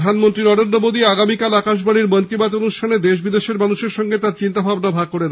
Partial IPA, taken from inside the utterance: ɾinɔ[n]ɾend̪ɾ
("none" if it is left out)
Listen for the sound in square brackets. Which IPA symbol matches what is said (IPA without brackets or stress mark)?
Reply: none